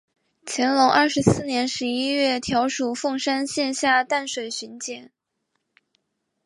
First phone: t͡ɕʰ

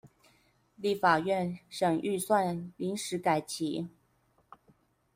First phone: l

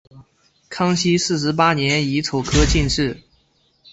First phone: kʰ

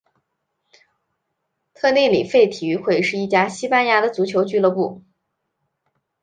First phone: t̪ʰ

